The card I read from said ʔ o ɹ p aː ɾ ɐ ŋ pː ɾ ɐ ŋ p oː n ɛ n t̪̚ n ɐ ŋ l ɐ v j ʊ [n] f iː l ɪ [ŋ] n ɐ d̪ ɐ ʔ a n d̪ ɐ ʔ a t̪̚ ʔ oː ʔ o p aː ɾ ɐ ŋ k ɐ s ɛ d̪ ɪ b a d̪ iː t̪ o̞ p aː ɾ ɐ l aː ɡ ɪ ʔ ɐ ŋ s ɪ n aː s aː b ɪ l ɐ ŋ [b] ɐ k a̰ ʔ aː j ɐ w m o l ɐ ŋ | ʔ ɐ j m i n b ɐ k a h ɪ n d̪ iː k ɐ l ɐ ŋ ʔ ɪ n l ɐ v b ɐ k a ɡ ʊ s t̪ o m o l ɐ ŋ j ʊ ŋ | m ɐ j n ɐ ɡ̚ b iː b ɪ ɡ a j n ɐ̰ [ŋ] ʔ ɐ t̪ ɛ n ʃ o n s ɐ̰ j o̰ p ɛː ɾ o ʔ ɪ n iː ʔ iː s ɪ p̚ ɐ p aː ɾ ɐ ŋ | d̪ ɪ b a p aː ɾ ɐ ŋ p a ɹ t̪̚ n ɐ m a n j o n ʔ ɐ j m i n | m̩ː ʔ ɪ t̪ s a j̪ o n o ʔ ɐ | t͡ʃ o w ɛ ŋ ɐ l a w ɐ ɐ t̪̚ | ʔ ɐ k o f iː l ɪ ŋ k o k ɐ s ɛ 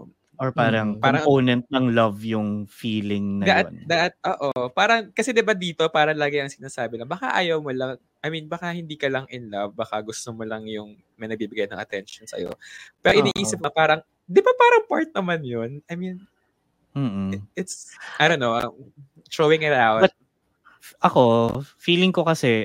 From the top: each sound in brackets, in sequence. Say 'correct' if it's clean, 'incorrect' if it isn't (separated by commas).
incorrect, correct, correct, correct